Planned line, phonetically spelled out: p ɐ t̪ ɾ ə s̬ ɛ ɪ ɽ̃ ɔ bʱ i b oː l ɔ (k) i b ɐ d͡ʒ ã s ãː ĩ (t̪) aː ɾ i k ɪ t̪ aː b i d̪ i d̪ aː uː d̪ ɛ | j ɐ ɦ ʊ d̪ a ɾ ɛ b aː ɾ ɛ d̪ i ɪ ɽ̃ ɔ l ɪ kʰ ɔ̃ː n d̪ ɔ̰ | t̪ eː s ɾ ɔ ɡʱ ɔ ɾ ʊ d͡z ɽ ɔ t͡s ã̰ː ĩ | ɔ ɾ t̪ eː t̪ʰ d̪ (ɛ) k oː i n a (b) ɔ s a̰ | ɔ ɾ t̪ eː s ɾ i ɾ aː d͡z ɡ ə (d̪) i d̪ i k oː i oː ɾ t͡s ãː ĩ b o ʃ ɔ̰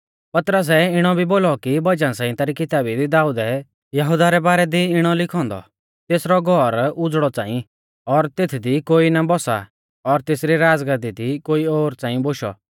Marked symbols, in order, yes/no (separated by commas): yes, yes, no, yes, yes